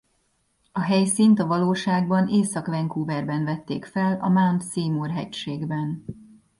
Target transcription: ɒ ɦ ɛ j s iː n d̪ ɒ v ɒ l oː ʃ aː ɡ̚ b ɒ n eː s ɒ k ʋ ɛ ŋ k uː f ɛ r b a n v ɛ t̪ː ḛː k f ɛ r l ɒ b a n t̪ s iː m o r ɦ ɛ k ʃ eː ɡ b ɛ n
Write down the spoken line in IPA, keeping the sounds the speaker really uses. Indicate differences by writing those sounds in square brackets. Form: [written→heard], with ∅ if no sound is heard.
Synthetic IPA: ɒ ɦ ɛ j s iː n [d̪→t̪] ɒ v ɒ l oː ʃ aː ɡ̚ b ɒ n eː s ɒ k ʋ ɛ ŋ k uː [f→v] ɛ r b [a→ɛ] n v ɛ t̪ː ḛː k f ɛ [r→∅] l ɒ [b→m] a n t̪ s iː m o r ɦ ɛ [k→c] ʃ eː ɡ b ɛ n